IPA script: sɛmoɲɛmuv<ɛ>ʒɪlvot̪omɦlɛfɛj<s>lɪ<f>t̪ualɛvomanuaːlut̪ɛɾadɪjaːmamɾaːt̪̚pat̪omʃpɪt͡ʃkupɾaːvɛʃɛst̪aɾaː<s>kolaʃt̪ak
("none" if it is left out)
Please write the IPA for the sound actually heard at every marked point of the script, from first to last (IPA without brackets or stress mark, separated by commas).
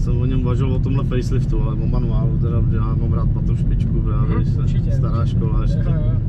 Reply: a, s, f, ʃ